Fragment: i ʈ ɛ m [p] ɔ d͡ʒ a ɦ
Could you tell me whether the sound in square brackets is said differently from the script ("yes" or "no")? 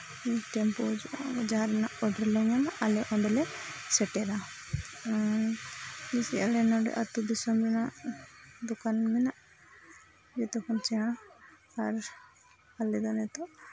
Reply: no